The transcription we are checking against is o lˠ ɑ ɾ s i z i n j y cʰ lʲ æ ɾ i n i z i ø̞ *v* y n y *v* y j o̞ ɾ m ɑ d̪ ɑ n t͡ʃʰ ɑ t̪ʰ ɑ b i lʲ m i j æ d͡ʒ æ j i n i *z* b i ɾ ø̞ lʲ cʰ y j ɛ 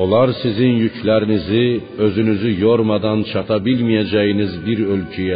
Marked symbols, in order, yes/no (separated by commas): no, no, yes